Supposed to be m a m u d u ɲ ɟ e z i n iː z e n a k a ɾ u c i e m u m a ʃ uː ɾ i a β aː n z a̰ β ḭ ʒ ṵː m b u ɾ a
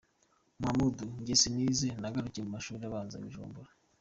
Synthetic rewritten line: m a m u d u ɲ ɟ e s i n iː z e n a ɡ a ɾ u c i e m u m a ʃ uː ɾ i a β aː n z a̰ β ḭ ʒ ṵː m b u ɾ a